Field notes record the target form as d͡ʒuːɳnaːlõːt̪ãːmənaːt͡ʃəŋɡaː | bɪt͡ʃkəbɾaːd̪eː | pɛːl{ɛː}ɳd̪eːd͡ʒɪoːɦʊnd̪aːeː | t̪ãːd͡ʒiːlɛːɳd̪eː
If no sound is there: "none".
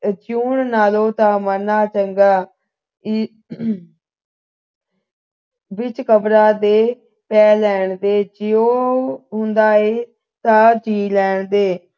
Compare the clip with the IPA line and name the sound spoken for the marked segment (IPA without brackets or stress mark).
ɛː